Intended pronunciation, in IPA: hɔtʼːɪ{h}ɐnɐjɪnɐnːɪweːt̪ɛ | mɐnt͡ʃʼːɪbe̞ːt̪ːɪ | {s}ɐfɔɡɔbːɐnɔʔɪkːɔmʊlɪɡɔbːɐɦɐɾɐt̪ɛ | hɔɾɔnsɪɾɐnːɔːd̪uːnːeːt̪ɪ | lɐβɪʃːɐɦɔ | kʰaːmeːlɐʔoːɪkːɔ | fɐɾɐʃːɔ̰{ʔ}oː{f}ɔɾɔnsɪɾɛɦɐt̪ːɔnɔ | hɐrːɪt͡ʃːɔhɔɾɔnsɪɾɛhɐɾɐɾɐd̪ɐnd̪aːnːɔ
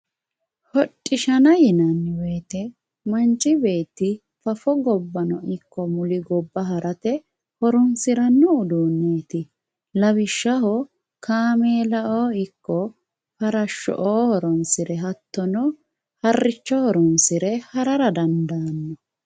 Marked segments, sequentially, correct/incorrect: incorrect: ʃ, incorrect: f, correct, incorrect: h

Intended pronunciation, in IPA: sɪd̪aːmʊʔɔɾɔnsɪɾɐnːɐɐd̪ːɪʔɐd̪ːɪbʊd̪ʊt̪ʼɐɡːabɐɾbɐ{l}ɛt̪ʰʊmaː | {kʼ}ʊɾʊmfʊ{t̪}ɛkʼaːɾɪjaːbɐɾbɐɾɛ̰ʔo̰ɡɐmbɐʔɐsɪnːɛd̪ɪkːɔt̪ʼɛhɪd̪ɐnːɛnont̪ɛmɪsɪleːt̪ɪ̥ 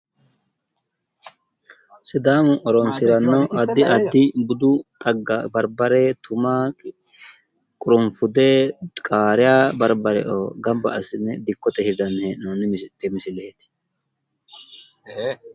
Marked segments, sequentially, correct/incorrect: incorrect: ɾ, correct, incorrect: d̪

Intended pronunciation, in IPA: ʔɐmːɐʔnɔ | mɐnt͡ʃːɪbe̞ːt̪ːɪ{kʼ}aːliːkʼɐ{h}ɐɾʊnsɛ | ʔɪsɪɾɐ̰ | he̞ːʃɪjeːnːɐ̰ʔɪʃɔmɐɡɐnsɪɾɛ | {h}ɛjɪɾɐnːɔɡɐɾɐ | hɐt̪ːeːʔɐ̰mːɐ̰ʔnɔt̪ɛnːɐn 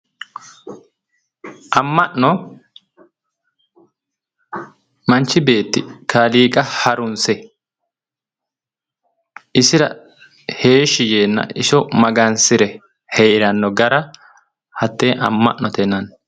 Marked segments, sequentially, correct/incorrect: incorrect: k, correct, correct

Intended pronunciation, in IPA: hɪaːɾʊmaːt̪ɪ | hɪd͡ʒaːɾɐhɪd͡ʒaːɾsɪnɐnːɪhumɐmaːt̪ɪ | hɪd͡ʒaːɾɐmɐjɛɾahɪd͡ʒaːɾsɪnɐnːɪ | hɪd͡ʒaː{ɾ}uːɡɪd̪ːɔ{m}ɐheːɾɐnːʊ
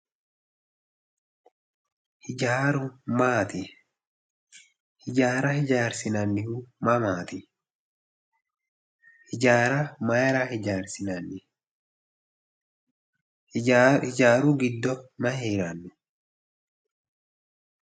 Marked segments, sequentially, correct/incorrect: correct, correct

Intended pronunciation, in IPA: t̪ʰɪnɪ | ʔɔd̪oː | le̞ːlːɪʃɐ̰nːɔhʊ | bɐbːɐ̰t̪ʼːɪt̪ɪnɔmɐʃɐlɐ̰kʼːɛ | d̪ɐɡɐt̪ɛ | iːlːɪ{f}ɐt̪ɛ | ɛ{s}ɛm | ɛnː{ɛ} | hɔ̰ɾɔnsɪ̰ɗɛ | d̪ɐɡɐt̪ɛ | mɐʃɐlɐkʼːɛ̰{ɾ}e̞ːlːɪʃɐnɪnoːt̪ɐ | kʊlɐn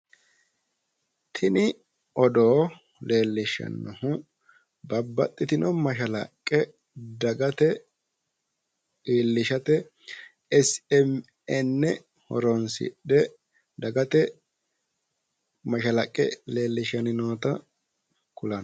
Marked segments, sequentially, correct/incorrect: incorrect: ʃ, correct, correct, incorrect: l

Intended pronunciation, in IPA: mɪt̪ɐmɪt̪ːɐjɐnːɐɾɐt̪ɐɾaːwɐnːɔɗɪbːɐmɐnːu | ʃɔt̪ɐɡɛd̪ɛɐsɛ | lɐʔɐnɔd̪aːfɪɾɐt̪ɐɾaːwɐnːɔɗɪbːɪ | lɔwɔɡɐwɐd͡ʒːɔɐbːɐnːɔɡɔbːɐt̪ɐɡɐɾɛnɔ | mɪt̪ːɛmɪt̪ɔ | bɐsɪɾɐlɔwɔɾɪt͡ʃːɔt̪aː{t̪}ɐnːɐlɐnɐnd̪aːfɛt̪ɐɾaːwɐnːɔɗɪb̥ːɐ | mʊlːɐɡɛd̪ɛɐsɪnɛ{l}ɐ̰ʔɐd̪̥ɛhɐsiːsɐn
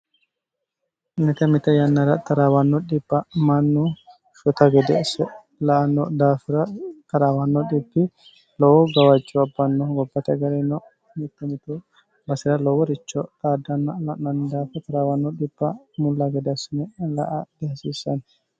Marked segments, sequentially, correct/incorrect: incorrect: d̪, correct

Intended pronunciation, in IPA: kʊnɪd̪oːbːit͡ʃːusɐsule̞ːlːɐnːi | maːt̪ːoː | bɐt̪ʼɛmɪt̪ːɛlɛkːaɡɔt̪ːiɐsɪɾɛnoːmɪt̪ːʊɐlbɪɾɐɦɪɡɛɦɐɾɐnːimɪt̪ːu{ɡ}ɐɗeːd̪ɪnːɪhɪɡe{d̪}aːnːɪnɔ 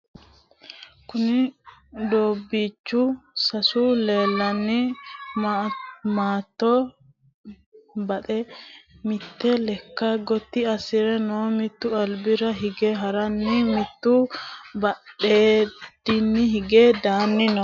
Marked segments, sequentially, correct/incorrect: incorrect: b, correct

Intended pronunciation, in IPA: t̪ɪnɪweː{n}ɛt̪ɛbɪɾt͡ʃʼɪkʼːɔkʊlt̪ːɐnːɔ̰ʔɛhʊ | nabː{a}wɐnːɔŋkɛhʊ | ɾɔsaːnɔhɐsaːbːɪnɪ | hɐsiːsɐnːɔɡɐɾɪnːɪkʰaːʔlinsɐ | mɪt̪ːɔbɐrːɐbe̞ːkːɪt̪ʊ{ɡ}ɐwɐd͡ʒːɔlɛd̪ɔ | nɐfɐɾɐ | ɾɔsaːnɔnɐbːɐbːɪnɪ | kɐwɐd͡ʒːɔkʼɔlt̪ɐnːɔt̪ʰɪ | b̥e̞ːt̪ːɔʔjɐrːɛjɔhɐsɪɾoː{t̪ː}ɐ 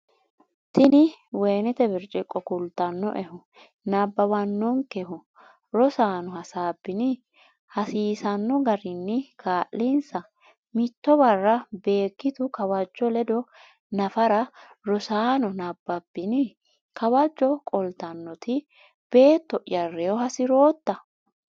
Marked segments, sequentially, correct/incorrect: correct, incorrect: ɐ, incorrect: k, correct

